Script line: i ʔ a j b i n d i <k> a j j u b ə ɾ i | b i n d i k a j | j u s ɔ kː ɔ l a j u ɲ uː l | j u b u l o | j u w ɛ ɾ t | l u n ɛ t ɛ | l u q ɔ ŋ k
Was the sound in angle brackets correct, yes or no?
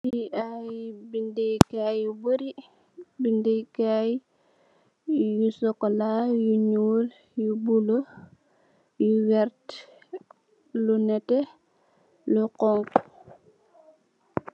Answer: yes